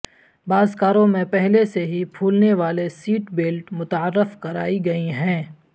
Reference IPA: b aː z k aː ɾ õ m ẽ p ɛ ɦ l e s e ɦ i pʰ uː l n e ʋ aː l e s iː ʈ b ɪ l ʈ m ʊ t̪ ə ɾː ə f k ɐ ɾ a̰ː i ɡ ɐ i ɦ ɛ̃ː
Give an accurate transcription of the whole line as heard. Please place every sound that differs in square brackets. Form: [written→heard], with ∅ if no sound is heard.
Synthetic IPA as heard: b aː z k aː ɾ õ m ẽ p ɛ ɦ l e s e ɦ i pʰ uː l n e ʋ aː l e s iː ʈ b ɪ l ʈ m ʊ t̪ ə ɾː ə f k ɐ ɾ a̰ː i ɡ ɐ i ɦ ɛ̃ː